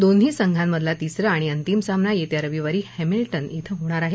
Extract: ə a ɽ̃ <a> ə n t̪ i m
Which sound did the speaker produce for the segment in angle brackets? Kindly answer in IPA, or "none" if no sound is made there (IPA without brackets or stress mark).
i